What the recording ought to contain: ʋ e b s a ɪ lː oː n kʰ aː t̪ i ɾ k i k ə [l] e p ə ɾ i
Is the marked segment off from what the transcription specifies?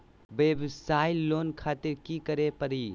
yes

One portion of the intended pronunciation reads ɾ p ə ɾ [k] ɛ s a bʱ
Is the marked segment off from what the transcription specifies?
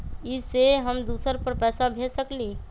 yes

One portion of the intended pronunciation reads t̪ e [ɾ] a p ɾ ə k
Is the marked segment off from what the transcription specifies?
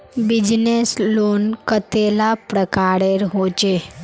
yes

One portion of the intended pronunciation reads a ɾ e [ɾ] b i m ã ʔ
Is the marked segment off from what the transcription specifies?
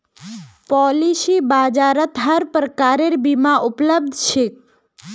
no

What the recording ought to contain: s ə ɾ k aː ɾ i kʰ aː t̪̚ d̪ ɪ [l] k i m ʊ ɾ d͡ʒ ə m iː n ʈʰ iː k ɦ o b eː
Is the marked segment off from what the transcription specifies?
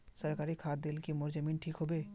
no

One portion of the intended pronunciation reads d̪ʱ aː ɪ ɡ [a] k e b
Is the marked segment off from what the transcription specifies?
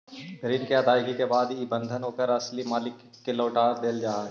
yes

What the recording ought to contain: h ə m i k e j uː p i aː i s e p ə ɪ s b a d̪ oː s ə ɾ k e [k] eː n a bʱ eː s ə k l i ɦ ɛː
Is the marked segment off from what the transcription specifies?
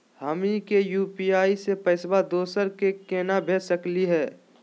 no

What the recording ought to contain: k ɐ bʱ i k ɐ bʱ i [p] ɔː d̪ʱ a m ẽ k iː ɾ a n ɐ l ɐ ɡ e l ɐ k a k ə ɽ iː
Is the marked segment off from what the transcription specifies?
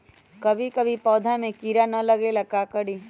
no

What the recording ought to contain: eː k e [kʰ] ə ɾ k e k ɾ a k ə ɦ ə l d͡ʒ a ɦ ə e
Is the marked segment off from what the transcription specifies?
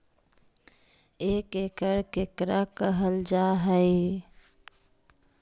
yes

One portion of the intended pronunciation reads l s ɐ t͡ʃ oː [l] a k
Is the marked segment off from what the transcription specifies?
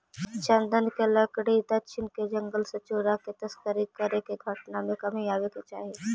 yes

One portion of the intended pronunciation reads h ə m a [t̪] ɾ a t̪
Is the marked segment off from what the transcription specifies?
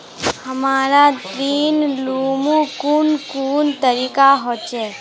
yes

